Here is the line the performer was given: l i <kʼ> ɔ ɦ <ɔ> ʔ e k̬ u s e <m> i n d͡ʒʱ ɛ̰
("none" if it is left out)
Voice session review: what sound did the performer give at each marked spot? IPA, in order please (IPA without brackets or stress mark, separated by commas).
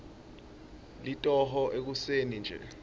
tʼ, ɔ, n